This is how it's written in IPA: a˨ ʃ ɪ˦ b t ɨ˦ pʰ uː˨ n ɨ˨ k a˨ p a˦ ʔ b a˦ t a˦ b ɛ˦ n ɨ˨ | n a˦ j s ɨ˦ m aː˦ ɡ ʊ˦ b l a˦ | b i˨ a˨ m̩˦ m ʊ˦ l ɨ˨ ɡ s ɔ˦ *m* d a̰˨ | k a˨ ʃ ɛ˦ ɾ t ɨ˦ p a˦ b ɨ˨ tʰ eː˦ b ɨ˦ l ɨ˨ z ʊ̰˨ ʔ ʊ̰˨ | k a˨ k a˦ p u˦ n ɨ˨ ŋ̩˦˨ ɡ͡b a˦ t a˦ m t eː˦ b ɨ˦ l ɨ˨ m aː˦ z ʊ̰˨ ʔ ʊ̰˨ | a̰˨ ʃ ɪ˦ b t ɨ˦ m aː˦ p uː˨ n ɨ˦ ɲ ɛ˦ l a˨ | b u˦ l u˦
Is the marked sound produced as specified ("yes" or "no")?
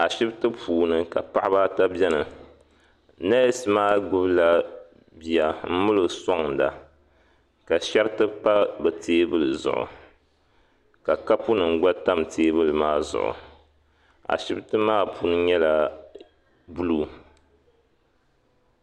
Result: no